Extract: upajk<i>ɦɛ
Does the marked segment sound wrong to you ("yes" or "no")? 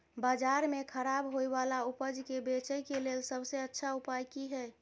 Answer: no